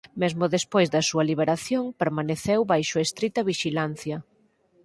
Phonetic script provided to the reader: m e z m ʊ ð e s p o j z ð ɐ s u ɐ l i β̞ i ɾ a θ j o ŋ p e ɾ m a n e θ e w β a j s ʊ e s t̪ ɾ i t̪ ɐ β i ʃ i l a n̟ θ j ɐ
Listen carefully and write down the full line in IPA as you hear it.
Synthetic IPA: m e z m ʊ ð e s p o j z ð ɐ s u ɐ l i β̞ e ɾ a θ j o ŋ p e ɾ m a n e θ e w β a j ʃ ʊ e s t̪ ɾ i t̪ ɐ β i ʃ i l a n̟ θ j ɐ